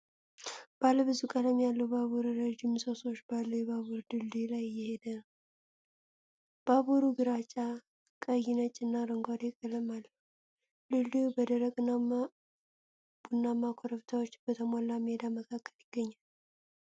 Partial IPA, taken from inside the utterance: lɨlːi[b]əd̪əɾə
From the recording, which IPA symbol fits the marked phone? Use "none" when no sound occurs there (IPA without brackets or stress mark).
b